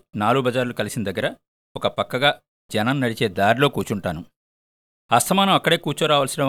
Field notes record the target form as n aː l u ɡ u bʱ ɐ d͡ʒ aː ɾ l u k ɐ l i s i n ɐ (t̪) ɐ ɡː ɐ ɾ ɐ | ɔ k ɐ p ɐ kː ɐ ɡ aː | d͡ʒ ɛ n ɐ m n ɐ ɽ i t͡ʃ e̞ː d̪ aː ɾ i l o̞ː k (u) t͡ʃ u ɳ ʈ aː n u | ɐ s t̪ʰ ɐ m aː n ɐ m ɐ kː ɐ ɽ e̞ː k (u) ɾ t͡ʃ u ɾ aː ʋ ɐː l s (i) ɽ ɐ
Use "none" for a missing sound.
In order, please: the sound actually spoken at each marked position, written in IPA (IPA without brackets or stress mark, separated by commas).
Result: d̪, uː, uː, i